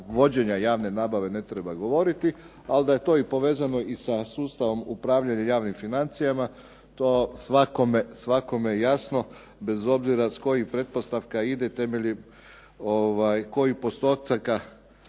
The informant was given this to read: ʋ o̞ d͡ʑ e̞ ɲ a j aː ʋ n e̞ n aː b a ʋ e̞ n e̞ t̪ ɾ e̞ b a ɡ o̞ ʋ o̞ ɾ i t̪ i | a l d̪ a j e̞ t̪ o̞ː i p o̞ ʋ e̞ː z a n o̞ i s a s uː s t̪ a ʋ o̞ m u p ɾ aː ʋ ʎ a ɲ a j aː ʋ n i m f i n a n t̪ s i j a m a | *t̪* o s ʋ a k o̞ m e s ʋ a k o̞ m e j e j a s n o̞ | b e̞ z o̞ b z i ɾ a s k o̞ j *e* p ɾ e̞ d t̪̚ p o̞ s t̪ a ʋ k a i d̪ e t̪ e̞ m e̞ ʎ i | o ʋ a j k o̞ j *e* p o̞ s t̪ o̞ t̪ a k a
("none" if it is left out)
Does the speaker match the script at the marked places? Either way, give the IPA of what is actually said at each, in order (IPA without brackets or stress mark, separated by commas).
t̪, i, i